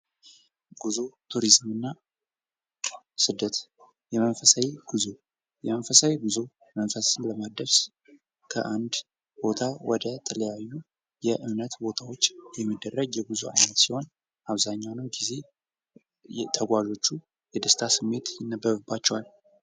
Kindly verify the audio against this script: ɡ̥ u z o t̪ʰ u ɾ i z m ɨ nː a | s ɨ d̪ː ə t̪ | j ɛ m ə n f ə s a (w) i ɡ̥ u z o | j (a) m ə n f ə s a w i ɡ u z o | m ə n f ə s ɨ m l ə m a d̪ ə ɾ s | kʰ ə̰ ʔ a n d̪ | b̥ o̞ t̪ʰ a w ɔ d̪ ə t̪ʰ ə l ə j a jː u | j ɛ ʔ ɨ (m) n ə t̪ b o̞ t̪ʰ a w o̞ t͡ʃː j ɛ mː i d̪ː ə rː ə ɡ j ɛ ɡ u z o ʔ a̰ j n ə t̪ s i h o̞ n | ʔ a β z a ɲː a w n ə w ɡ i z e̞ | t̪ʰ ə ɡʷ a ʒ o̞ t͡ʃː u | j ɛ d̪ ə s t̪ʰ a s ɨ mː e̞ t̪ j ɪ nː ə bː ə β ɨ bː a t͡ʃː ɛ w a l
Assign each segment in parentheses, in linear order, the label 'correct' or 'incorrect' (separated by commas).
correct, incorrect, correct